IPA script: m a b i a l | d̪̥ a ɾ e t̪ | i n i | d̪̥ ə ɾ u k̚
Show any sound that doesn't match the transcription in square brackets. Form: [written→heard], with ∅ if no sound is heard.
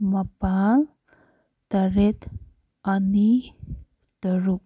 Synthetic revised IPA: m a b [i→a] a l | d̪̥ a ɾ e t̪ | [i→a] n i | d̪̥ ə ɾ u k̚